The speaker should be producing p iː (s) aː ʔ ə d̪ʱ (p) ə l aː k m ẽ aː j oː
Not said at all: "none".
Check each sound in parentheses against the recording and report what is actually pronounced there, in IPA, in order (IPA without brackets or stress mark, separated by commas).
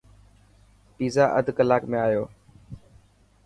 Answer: z, k